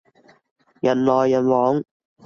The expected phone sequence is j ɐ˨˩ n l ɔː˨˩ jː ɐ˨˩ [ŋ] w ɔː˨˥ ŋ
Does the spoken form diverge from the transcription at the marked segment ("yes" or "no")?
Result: yes